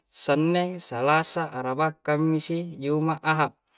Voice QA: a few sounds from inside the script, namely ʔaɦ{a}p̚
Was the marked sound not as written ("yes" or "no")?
no